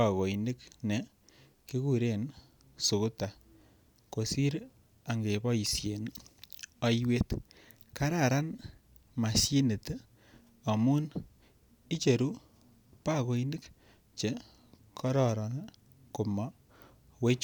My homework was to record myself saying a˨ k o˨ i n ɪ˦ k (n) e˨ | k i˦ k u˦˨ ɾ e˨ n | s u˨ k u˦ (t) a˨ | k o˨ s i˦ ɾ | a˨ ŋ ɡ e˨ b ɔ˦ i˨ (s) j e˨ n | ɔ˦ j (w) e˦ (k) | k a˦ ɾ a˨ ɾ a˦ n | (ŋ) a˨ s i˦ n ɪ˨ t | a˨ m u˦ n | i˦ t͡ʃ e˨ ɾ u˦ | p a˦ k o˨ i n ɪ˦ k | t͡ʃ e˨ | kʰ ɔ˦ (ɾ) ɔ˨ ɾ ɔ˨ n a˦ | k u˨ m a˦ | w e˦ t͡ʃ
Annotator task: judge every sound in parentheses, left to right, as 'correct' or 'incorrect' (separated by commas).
correct, correct, correct, correct, incorrect, incorrect, correct